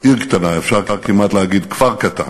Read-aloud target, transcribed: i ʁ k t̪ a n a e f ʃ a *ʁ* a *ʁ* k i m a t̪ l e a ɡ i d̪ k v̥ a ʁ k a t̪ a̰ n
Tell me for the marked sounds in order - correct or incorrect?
correct, correct

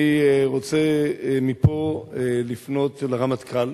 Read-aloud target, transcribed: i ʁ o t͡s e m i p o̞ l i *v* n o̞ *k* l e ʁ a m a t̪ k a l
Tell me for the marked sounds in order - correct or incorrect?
incorrect: f, incorrect: t

